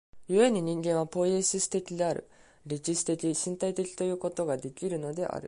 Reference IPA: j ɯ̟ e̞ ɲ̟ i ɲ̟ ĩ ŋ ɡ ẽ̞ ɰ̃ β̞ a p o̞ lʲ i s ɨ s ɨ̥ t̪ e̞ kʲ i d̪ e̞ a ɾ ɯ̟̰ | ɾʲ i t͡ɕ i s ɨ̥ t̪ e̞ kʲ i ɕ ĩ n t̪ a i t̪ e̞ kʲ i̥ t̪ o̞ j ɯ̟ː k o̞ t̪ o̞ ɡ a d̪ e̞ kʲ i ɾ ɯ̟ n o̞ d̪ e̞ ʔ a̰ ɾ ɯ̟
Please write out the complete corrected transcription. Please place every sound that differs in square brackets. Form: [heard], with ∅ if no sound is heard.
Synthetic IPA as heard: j ɯ̟ e̞ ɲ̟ i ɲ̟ ĩ ŋ ɡ ẽ̞ ɰ̃ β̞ a p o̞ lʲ i s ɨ s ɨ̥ t̪ e̞ kʲ i d̪ e̞ a ɾ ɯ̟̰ | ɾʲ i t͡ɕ i s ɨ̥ t̪ e̞ kʲ i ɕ ĩ n t̪ a i t̪ e̞ kʲ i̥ t̪ o̞ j ɯ̟ː k o̞ t̪ o̞ ɡ a d̪ e̞ kʲ i ɾ ɯ̟ n o̞ d̪ e̞ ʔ a̰ ɾ ɯ̟